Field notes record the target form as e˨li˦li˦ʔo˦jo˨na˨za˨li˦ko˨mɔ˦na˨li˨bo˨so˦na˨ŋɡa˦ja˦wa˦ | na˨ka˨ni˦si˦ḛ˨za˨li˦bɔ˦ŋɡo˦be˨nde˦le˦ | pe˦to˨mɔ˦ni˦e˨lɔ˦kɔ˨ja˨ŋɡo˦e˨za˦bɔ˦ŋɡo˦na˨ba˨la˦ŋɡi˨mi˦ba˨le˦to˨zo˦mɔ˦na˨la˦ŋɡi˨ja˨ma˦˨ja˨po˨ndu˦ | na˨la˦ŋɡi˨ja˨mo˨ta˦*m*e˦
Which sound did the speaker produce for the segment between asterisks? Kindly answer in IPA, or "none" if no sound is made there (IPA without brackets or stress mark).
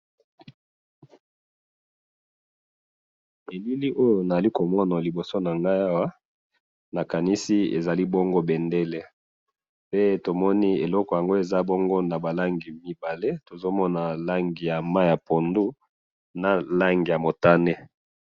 n